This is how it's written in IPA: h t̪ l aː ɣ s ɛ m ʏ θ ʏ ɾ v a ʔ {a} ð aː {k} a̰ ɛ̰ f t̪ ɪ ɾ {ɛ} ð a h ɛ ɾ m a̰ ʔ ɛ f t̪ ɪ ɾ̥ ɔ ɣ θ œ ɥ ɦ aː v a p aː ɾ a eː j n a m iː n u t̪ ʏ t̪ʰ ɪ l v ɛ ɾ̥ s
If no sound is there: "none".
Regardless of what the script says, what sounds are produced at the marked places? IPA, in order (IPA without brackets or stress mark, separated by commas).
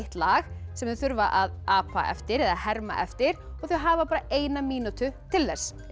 a, p, ɛ